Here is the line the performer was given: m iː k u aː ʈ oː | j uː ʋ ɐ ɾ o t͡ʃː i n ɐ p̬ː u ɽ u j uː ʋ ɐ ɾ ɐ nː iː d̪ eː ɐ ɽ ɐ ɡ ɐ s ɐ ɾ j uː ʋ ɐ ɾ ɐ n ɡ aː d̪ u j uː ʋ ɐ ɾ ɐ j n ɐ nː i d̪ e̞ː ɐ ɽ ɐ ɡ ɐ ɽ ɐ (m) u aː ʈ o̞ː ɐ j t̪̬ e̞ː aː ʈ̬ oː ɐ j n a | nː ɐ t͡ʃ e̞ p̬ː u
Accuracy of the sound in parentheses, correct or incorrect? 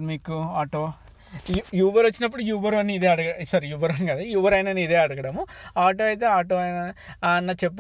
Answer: correct